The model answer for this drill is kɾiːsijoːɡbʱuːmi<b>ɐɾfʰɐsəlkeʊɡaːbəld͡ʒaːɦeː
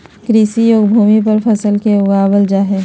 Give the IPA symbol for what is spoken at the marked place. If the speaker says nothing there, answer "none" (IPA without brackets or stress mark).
p